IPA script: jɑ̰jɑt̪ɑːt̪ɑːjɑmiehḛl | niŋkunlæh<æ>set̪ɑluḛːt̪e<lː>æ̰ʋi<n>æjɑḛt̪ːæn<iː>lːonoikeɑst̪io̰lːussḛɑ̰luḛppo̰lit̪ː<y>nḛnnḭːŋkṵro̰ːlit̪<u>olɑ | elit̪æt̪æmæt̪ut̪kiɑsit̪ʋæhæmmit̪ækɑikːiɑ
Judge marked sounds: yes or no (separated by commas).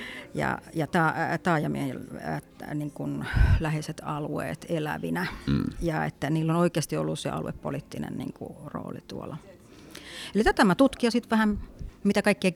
no, no, yes, yes, no, yes